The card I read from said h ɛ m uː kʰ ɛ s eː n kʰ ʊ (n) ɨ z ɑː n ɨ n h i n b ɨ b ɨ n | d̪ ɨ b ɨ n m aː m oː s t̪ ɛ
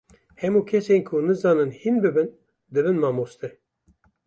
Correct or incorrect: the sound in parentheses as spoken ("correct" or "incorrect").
correct